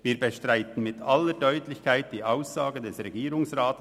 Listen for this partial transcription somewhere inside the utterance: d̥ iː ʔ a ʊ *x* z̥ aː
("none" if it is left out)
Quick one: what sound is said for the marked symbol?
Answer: s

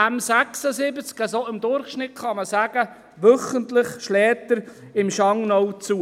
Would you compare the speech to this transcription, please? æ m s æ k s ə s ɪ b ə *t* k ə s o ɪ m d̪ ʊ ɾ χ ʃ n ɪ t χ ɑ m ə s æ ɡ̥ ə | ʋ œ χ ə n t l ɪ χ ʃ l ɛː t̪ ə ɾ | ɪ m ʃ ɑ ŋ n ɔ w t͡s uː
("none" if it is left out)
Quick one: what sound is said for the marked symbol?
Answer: t͡s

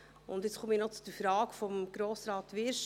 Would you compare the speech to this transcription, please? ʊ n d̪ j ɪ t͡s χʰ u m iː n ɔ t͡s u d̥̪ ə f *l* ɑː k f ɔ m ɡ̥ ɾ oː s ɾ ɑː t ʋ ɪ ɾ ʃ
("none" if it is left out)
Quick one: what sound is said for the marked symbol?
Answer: ɾ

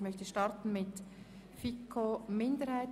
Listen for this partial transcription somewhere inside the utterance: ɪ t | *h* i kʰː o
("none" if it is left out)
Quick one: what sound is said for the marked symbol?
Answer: f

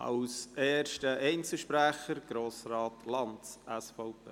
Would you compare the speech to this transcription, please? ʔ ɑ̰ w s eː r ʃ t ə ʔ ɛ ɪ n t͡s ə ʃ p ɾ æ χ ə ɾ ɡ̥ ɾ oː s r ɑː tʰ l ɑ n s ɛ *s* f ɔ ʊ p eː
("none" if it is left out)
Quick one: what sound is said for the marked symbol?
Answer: s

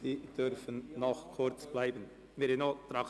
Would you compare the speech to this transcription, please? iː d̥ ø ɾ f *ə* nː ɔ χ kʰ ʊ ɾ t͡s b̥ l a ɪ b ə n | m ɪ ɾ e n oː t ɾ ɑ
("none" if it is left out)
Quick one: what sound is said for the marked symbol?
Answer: ə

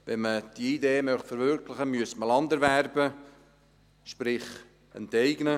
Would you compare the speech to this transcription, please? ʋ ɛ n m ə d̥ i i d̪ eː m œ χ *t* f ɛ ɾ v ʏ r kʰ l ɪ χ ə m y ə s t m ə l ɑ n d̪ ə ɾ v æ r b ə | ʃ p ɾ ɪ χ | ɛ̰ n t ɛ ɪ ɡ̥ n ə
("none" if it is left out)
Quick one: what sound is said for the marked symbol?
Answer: t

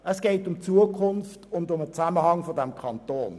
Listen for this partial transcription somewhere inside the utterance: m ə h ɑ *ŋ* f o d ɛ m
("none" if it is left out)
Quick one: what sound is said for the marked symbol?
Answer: ŋ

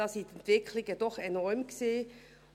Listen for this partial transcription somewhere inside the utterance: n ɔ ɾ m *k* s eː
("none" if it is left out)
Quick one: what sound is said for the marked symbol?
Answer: k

